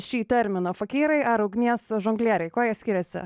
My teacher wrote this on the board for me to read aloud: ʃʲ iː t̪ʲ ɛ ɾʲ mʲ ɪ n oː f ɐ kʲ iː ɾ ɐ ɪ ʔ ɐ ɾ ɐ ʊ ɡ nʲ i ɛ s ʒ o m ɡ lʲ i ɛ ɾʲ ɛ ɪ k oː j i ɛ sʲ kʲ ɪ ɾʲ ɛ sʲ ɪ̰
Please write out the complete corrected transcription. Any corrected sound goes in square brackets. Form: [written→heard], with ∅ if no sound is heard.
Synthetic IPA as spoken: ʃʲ iː t̪ʲ ɛ ɾʲ mʲ ɪ n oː f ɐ kʲ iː ɾ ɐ ɪ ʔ ɐ ɾ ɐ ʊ ɡ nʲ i ɛ s ʒ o [m→ŋ] ɡ lʲ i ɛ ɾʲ ɛ ɪ k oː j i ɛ sʲ kʲ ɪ ɾʲ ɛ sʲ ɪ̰